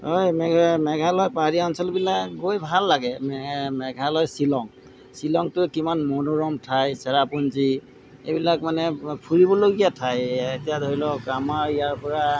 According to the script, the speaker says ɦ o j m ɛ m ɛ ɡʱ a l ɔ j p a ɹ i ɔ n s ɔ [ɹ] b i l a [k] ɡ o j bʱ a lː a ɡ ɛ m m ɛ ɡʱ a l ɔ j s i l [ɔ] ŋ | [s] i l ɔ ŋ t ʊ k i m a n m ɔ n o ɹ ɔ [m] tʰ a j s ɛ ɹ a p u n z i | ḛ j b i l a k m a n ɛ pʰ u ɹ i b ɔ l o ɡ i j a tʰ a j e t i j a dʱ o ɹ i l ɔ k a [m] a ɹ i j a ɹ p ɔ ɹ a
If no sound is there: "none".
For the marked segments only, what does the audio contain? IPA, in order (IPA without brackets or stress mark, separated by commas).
l, k, ɔ, s, m, m